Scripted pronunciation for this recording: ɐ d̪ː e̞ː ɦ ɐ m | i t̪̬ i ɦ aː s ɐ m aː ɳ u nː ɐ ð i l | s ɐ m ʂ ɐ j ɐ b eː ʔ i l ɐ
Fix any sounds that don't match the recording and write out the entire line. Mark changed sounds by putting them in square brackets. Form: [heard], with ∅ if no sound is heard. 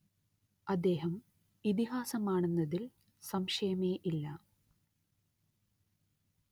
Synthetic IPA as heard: ɐ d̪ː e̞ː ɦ ɐ m | i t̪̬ i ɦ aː s ɐ m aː ɳ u nː ɐ ð i l | s ɐ m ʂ ɐ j ɐ [m] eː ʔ i [lː] ɐ